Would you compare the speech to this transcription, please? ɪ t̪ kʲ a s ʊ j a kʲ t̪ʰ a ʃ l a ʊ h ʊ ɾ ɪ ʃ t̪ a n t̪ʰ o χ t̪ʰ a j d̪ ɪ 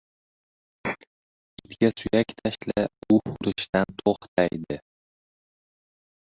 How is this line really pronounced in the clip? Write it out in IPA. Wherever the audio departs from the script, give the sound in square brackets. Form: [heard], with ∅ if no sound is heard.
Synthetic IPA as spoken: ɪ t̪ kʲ a s ʊ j a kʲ t̪ʰ a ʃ l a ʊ h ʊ ɾ ɪ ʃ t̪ a n t̪ʰ o χ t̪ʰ a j d̪ ɪ